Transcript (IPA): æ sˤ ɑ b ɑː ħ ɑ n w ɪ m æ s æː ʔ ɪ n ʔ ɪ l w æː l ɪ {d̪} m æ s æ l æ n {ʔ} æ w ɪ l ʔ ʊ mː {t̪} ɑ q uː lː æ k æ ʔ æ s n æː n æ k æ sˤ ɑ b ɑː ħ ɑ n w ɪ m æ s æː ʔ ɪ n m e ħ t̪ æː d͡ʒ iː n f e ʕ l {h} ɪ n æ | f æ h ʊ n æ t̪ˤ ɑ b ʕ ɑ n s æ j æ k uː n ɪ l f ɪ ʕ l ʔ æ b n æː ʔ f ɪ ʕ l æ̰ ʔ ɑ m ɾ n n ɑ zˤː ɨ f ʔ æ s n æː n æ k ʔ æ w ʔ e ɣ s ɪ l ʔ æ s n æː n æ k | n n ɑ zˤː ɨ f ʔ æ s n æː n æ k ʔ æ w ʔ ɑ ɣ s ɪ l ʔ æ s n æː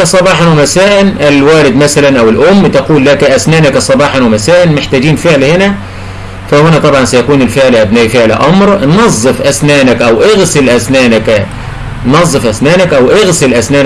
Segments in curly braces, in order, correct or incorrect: correct, correct, correct, correct

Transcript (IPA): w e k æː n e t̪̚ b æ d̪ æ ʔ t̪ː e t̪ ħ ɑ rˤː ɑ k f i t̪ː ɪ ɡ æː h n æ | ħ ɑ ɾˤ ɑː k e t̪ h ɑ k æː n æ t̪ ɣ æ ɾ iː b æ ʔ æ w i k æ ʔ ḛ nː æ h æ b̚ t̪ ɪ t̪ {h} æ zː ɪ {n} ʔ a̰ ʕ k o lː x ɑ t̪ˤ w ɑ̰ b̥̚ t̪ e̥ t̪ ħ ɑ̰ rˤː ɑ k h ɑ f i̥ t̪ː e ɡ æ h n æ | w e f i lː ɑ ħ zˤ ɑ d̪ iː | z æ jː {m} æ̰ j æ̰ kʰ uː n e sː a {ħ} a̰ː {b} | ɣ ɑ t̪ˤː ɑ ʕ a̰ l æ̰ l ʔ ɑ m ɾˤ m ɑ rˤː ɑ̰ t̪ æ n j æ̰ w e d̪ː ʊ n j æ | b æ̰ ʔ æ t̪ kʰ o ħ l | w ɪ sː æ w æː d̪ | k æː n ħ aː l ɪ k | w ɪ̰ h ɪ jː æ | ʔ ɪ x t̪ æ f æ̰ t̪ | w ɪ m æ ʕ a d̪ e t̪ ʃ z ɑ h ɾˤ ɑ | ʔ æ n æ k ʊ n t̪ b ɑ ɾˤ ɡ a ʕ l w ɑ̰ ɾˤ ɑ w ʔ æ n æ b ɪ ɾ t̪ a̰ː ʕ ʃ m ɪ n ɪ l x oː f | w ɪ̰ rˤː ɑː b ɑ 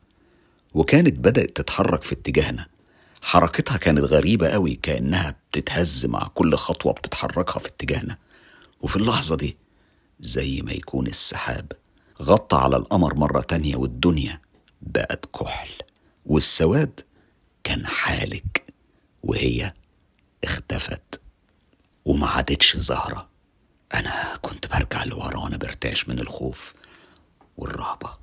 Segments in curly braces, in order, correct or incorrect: correct, incorrect: m, correct, correct, correct

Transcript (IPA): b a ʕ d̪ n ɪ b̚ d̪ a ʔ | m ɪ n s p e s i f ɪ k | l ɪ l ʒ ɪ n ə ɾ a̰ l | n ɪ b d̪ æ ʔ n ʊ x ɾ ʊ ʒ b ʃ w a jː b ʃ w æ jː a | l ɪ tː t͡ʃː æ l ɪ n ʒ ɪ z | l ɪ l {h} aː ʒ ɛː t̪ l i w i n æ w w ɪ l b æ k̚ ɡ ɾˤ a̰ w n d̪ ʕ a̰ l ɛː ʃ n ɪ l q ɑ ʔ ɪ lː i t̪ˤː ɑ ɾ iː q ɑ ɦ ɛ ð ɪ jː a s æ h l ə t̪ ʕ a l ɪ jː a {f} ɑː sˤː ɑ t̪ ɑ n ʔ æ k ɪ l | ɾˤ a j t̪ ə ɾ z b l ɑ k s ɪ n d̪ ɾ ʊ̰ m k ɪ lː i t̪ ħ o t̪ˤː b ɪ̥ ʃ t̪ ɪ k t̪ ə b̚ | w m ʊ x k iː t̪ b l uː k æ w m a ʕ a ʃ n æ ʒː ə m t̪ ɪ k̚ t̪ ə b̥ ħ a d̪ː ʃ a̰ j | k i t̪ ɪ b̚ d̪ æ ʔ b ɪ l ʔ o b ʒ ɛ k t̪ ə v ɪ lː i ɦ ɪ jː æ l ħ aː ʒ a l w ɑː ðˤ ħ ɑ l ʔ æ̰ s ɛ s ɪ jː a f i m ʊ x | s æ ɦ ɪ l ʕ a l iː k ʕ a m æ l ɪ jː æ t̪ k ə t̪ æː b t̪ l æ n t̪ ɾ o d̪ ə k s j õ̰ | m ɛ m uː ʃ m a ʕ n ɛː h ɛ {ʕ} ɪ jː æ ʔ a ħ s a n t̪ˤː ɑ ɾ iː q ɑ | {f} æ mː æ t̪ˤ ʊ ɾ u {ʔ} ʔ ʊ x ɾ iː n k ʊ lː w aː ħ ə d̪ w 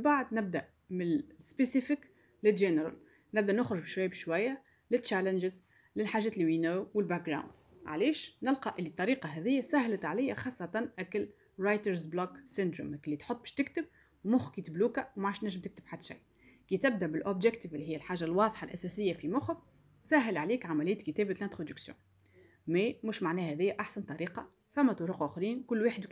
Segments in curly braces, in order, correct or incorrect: incorrect: ħ, incorrect: x, incorrect: ð, correct, incorrect: q

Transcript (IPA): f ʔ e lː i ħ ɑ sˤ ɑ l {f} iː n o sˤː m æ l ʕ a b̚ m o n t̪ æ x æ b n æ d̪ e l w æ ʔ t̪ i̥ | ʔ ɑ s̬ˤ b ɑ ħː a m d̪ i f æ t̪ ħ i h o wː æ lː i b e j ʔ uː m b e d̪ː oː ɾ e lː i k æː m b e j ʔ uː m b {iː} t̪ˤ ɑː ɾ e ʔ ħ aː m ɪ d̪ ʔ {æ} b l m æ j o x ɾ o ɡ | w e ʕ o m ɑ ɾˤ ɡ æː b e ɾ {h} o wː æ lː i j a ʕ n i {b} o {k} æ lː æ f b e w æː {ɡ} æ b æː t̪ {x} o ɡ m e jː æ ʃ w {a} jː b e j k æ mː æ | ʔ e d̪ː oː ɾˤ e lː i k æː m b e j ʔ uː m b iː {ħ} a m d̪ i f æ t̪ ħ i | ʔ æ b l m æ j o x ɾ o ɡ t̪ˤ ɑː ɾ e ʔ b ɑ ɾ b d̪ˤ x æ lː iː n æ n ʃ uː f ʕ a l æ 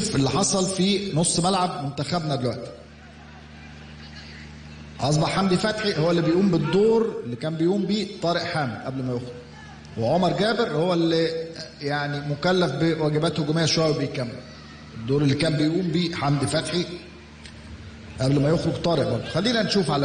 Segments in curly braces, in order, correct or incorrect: correct, correct, correct, correct, incorrect: m, correct, correct, incorrect: h, incorrect: æ, correct

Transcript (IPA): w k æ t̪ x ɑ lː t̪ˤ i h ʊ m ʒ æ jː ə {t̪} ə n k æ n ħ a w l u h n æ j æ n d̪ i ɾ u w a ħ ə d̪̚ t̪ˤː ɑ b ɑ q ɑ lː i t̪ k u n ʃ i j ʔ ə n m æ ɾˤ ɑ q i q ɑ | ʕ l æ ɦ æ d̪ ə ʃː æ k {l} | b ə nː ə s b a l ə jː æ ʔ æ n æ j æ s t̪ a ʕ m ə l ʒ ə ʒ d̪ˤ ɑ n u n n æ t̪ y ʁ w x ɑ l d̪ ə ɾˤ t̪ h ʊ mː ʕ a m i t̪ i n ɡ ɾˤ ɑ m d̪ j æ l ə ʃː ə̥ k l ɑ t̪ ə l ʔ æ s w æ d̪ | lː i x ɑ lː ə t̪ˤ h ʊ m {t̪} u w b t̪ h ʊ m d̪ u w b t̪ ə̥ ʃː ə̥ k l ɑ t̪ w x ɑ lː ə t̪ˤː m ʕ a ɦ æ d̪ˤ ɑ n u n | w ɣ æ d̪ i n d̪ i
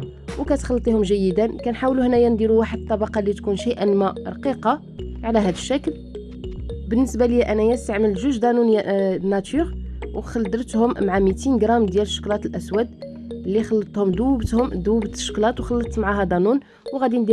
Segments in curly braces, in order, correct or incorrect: incorrect: d̪, correct, incorrect: d̪

